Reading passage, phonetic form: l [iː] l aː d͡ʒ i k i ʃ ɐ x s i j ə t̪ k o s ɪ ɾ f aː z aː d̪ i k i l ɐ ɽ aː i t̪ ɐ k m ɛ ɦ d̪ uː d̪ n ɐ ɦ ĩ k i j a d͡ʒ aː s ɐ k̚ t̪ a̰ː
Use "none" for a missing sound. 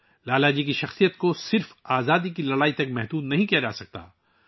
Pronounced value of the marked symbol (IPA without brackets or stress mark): aː